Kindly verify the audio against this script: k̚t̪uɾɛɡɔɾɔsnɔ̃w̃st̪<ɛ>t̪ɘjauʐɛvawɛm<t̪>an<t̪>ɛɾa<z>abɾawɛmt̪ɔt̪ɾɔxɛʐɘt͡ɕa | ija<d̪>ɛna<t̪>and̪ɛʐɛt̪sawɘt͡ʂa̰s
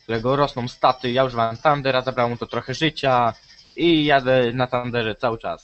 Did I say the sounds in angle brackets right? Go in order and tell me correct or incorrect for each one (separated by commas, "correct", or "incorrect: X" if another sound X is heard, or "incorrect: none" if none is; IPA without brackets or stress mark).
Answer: incorrect: a, correct, incorrect: d̪, correct, correct, correct